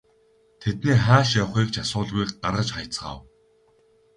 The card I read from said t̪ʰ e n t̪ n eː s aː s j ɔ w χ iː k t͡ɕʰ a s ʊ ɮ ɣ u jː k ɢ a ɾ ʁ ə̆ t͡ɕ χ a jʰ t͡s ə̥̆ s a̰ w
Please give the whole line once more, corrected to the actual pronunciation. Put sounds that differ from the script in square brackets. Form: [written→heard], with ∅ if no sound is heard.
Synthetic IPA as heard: t̪ʰ e [n→∅] t̪ n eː [s→χ] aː [s→ʃ] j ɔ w χ iː k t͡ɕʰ a s [ʊ→ʊː] ɮ ɣ u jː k ɢ a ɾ ʁ ə̆ t͡ɕ χ a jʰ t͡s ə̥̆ [s→χ] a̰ w